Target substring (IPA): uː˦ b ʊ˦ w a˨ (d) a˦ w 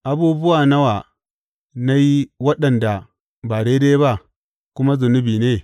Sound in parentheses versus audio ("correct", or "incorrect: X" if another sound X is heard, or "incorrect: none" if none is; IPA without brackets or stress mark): incorrect: n